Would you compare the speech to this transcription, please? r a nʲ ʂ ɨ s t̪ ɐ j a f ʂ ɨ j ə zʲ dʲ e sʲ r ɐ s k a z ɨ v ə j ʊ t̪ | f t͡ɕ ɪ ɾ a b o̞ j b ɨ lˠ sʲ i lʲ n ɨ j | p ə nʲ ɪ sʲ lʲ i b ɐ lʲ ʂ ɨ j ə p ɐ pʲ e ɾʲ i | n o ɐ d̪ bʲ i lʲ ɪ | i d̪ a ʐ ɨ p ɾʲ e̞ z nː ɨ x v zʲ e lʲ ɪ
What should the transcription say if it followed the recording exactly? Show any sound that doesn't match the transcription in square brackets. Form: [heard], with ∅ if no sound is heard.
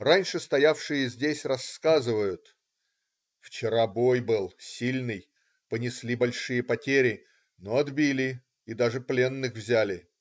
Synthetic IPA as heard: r a nʲ ʂ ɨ s t̪ ɐ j a f ʂ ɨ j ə zʲ dʲ e sʲ r ɐ s k a z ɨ v ə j ʊ t̪ | f t͡ɕ ɪ ɾ a b o̞ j b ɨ lˠ sʲ i lʲ n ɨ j | p ə nʲ ɪ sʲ lʲ i b ɐ lʲ ʂ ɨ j ə p ɐ [tʲ] e ɾʲ [ɪ] | n o ɐ d̪ bʲ i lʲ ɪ | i d̪ a ʐ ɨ p [lʲ] e̞ [∅] nː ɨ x v zʲ [æ] lʲ ɪ